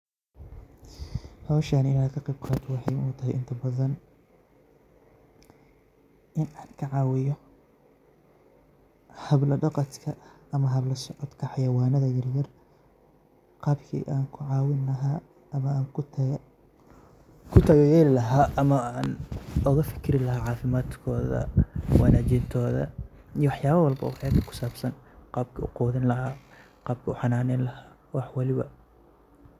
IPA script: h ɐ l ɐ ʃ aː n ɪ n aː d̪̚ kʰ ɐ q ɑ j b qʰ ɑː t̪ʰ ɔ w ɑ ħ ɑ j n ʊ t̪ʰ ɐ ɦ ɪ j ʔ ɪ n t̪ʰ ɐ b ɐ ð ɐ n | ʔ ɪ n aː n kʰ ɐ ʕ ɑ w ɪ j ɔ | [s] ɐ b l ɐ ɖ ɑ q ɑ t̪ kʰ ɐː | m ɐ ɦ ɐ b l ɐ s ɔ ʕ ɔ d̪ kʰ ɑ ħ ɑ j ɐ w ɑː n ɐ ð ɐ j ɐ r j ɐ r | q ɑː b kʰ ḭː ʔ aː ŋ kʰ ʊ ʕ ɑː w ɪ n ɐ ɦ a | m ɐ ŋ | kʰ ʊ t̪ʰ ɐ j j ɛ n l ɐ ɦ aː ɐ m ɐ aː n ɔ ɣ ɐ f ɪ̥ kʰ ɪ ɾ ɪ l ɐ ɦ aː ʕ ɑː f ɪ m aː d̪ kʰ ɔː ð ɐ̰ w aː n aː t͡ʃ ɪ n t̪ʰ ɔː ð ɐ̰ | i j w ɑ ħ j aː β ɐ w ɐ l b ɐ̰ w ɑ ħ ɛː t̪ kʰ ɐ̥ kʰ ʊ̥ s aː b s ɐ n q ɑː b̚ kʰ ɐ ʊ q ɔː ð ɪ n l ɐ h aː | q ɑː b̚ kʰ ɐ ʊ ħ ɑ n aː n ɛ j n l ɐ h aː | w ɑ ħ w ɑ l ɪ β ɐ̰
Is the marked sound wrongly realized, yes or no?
yes